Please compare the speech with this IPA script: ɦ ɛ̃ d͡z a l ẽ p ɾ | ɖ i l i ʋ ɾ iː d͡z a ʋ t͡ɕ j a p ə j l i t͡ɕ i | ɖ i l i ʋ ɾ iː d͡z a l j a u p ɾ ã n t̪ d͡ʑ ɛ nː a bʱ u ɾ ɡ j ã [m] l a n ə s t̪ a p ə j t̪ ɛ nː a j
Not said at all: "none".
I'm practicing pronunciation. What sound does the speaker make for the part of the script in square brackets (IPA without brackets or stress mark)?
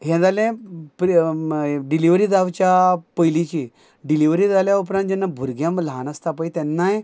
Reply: m